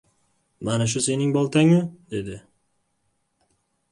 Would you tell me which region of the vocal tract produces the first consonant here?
lips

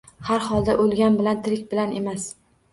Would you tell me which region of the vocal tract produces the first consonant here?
throat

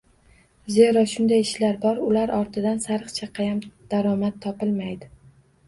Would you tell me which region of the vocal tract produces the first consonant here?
tongue tip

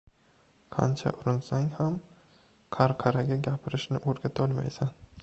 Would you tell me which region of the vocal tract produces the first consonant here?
uvula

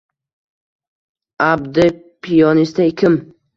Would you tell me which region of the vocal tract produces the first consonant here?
lips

